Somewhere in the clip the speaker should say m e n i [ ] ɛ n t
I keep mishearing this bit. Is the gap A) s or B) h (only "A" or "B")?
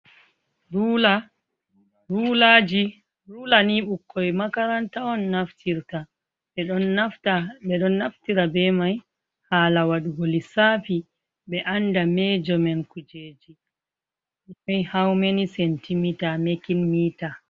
A